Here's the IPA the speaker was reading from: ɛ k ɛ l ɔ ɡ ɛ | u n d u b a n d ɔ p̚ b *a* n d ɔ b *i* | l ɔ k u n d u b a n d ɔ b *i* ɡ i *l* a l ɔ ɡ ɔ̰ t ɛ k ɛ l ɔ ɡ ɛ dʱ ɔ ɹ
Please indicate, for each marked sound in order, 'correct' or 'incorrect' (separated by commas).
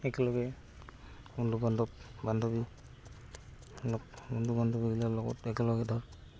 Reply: correct, correct, correct, correct